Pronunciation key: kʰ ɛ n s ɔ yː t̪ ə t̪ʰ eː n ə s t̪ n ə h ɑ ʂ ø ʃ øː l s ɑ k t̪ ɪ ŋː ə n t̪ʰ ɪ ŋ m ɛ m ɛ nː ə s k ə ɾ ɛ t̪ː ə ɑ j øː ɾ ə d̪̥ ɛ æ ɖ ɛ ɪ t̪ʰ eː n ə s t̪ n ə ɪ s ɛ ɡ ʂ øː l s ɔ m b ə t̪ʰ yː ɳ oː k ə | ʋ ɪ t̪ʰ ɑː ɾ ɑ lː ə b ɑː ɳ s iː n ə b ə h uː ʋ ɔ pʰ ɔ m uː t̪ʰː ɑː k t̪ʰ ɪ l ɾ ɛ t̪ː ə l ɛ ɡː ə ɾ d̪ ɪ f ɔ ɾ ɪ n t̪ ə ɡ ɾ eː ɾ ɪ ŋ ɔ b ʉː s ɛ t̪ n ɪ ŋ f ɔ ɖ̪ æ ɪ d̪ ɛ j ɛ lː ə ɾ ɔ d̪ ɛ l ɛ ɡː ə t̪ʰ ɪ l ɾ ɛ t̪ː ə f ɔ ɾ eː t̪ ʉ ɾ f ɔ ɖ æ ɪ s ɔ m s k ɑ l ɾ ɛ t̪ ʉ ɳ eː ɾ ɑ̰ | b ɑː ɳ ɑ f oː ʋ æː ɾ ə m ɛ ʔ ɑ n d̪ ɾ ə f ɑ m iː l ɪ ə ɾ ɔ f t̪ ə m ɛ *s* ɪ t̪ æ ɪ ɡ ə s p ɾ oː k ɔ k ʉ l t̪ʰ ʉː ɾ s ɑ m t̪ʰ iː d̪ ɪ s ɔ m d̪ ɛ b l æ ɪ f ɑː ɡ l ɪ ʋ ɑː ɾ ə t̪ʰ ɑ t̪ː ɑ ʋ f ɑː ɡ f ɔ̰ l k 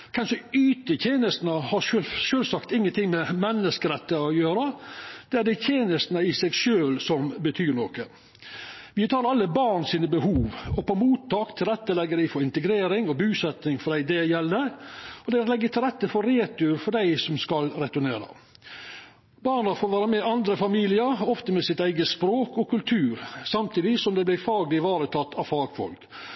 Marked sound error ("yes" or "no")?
no